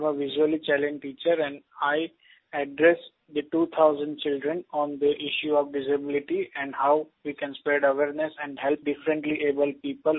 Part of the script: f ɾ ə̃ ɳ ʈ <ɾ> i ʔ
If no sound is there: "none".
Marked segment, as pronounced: l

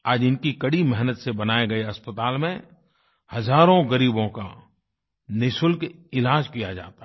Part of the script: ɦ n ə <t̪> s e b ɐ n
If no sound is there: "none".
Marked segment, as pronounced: t̪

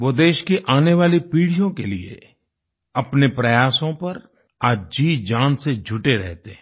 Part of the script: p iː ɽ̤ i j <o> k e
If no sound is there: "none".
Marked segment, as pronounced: õ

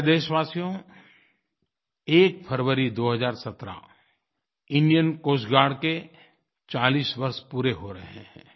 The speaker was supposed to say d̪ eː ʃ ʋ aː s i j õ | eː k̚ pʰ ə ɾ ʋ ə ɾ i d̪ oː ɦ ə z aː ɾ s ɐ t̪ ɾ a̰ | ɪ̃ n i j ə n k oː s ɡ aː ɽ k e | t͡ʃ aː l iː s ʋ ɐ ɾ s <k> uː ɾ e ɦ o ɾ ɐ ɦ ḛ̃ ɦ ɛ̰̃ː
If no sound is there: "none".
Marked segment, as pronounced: p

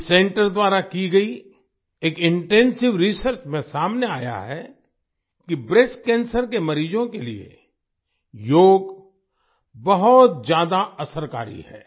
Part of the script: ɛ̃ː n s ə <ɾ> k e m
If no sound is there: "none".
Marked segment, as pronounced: ɾ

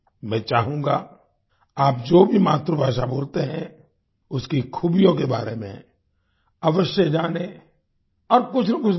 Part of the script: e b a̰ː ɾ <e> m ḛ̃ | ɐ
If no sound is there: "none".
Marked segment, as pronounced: e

